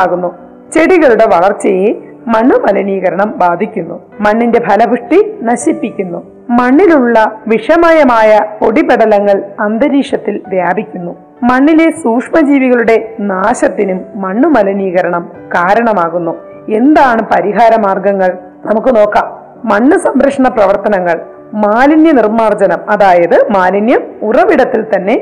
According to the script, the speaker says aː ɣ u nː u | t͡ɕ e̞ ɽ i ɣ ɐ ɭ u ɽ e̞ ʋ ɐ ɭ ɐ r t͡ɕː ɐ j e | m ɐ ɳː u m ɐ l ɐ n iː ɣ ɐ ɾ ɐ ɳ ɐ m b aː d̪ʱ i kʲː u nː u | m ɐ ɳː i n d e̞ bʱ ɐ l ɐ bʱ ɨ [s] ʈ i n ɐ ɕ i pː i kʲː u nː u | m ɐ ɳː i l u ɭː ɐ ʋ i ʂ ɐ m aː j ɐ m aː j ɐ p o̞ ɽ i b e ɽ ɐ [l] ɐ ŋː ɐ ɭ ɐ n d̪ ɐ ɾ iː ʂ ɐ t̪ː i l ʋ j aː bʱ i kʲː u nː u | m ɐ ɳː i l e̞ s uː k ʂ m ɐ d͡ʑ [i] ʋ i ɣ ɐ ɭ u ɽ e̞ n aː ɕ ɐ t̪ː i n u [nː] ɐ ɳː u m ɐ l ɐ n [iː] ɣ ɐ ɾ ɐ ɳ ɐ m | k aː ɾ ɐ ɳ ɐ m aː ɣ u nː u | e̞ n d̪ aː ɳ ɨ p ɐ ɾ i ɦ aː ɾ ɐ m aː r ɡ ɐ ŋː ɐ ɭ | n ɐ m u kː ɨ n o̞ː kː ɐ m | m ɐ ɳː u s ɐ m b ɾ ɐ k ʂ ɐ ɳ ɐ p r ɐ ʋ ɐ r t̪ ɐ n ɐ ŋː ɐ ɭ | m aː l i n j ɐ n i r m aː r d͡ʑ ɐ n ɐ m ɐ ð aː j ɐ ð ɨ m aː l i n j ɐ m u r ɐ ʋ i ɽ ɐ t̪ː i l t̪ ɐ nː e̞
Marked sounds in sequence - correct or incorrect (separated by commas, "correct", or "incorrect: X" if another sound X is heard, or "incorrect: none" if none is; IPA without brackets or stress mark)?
incorrect: ʂ, correct, incorrect: iː, incorrect: mː, correct